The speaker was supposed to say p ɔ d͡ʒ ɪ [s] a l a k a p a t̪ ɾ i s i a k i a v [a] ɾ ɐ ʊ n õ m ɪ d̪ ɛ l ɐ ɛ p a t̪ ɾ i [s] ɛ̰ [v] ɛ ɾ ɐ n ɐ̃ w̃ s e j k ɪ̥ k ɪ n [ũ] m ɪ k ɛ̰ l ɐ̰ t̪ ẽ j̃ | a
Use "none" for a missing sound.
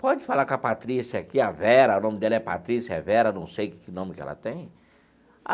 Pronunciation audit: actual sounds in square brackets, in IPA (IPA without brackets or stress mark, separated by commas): f, ɛ, s, v, õ